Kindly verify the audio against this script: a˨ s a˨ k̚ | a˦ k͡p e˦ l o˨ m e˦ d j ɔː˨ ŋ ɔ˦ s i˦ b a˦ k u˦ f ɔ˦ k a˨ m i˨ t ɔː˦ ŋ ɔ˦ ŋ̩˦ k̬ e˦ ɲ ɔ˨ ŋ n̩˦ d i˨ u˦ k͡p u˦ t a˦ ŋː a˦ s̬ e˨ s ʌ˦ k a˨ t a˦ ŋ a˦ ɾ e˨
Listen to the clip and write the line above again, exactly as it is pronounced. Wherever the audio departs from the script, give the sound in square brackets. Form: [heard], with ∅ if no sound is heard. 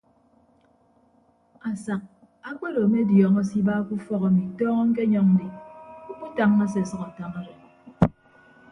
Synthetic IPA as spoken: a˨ s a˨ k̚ | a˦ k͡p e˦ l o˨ m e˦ d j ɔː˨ ŋ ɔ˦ s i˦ b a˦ k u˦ f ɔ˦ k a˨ m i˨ t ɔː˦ ŋ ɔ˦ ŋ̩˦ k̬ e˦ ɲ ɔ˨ ŋ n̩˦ d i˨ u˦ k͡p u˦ t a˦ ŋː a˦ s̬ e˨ s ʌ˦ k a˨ t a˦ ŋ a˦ ɾ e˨